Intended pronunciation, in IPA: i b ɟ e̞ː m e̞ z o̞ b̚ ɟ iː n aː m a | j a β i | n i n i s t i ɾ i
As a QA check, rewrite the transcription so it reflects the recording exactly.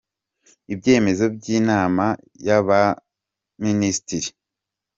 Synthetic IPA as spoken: i b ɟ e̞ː m e̞ z o̞ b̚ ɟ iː n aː m a | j a β a | m i n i s t i ɾ i